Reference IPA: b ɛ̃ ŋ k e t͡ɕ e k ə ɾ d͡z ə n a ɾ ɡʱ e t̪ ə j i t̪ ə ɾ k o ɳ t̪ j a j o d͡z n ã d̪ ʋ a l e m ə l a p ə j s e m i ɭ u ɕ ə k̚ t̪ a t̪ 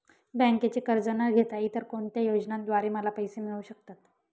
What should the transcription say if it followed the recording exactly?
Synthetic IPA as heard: b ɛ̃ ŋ k e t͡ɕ e k ə ɾ d͡z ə n a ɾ ɡʱ e t̪ a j i t̪ ə ɾ k o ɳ t̪ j a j o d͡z n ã d̪ ʋ a ɾ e m ə l a p ə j s e m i ɭ u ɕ ə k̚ t̪ a t̪